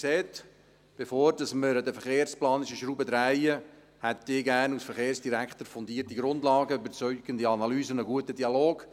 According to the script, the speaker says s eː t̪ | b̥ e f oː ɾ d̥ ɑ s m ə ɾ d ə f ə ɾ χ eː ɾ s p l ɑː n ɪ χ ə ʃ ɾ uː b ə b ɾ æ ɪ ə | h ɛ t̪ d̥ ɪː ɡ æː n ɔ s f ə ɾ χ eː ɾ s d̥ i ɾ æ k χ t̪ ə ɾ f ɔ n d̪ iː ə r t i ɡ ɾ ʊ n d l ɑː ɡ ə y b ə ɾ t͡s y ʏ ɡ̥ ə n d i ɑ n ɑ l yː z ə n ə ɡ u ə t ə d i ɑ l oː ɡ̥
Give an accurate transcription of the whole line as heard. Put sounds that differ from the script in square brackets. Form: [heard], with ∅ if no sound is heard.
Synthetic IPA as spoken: s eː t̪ | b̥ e f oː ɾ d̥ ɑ s m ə ɾ d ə f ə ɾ χ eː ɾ s p l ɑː n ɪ [ʃ] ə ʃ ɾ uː b ə [d] ɾ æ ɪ ə | h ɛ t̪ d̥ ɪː ɡ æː n [u] s f ə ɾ χ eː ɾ s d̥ i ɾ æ k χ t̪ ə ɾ f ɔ n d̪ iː ə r t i ɡ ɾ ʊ n d l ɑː ɡ ə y b ə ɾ t͡s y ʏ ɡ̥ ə n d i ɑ n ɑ l yː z ə n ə ɡ u ə t ə d i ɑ l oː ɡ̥